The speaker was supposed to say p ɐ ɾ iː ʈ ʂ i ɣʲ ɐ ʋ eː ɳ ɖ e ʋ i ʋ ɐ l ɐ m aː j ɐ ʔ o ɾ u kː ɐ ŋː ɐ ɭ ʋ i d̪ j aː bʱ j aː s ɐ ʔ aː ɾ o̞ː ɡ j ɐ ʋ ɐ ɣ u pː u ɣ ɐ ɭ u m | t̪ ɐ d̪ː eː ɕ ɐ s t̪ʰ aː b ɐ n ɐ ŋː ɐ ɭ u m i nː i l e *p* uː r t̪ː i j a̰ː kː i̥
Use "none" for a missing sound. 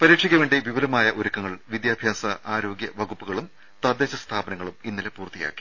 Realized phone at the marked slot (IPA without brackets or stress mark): p